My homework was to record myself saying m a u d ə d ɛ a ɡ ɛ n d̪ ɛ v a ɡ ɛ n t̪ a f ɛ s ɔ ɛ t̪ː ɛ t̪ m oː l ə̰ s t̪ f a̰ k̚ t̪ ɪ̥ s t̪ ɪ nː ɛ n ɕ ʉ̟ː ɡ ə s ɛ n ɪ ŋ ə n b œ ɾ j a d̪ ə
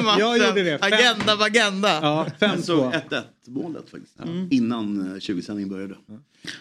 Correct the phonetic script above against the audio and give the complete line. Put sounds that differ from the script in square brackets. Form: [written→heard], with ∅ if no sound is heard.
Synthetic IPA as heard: m a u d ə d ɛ a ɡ ɛ n d̪ [ɛ→a] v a ɡ ɛ n [t̪→d̪] a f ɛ s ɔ ɛ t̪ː ɛ t̪ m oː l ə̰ [s→∅] t̪ f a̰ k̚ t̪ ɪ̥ s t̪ ɪ nː [ɛ→a] n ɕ ʉ̟ː ɡ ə s ɛ n ɪ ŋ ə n b œ ɾ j a d̪ ə